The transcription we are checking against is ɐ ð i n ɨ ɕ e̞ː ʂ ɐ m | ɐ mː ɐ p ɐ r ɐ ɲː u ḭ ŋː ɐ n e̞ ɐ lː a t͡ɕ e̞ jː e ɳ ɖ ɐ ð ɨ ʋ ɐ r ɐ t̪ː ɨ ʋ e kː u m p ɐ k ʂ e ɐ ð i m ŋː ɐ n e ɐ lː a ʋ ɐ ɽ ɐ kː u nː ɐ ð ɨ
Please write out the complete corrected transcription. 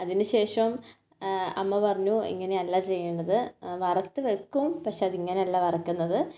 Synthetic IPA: ɐ ð i n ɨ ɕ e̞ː ʂ ɐ m | ɐ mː ɐ p ɐ r ɐ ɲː u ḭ ŋː ɐ n e̞ ɐ lː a t͡ɕ e̞ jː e ɳ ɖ ɐ ð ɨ ʋ ɐ r ɐ t̪ː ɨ ʋ e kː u m p ɐ k ʂ e ɐ ð i ŋː ɐ n e ɐ lː a ʋ ɐ r ɐ kː u nː ɐ ð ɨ